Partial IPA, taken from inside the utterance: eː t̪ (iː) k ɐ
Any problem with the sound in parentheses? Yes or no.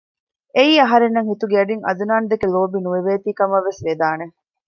no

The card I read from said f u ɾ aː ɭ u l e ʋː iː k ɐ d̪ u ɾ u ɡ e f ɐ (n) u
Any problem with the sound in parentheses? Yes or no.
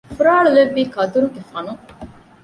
no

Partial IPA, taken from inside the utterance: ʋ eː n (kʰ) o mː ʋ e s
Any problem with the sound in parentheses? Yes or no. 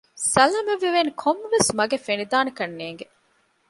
no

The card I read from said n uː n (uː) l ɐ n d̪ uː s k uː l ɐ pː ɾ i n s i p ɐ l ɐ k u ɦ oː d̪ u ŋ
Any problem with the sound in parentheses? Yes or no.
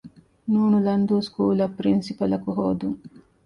yes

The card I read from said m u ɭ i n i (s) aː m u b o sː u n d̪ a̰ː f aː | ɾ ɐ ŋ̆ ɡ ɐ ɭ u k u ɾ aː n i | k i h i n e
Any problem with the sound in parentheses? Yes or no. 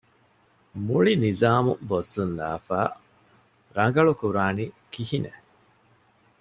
yes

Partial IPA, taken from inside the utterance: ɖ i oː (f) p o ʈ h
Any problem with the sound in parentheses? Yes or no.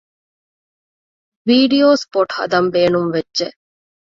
yes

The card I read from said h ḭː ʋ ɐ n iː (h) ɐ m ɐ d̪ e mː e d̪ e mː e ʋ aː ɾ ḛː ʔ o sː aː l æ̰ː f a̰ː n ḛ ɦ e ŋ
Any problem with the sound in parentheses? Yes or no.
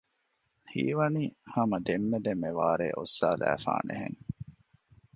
no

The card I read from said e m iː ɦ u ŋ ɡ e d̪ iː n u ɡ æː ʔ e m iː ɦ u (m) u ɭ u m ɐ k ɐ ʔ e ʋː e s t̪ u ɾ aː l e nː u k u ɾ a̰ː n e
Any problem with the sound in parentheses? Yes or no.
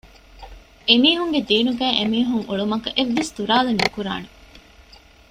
yes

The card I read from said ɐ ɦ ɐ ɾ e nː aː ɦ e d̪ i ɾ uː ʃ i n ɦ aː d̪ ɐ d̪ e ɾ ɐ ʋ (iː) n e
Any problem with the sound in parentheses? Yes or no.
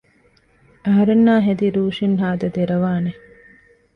yes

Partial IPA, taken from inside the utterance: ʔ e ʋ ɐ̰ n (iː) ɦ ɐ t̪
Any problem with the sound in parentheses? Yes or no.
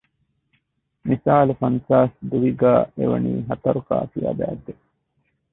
no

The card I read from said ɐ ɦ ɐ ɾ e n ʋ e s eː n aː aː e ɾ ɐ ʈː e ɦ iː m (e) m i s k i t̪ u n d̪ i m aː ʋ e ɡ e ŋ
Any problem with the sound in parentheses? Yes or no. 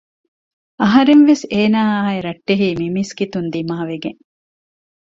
yes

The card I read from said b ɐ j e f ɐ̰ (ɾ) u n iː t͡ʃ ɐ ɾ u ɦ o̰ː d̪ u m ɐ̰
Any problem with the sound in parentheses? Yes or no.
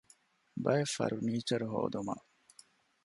no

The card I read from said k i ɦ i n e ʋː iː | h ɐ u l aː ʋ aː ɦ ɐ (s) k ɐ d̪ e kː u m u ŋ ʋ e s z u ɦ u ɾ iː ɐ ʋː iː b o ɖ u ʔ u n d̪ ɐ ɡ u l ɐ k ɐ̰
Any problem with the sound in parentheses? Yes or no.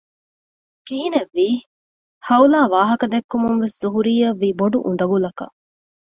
yes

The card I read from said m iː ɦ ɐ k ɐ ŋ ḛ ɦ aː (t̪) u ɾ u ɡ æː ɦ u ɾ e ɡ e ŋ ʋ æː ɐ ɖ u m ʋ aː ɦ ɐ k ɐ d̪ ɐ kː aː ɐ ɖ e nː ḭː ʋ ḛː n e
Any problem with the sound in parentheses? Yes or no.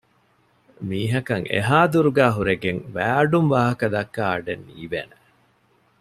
yes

